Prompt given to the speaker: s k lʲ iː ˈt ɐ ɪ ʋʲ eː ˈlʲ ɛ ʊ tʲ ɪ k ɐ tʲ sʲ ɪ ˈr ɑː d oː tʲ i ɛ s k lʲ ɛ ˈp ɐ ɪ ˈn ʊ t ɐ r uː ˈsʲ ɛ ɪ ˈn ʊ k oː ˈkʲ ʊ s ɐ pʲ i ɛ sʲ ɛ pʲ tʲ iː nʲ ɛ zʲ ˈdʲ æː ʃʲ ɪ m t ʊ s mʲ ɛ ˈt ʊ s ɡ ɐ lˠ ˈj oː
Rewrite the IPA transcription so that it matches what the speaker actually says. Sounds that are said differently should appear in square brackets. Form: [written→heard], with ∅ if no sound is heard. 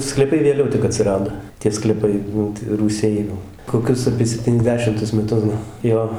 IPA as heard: s k lʲ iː [ˈt→ˈp] ɐ ɪ ʋʲ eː ˈlʲ ɛ ʊ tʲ ɪ k ɐ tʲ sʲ ɪ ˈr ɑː d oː tʲ i ɛ s k lʲ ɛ ˈp ɐ ɪ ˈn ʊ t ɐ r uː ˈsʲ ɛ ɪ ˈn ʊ k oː ˈkʲ ʊ s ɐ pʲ i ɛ sʲ ɛ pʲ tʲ iː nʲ ɛ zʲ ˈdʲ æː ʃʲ ɪ m t ʊ s mʲ ɛ ˈt ʊ s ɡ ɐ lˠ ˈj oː